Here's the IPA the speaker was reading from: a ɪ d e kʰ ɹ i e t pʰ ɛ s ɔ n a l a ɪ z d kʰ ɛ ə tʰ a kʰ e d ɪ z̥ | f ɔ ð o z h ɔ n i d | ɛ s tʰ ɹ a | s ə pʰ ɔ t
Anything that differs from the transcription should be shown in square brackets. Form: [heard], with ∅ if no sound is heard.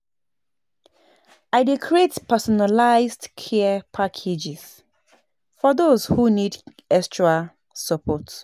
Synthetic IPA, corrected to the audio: a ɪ d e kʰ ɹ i e t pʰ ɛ s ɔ n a l a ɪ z d kʰ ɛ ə [pʰ] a kʰ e [d͡ʒ] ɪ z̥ | f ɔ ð o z h [u] n i d | ɛ s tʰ ɹ a | s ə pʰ ɔ t